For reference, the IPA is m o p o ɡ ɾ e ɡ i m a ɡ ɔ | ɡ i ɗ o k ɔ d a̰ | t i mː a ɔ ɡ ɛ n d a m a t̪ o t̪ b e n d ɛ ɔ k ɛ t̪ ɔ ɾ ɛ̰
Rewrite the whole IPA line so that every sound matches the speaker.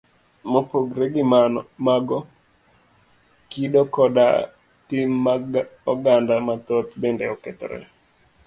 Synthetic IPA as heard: m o p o ɡ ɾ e ɡ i m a ɡ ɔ | k i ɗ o k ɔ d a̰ | t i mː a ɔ ɡ a n d a m a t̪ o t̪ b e n d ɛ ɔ k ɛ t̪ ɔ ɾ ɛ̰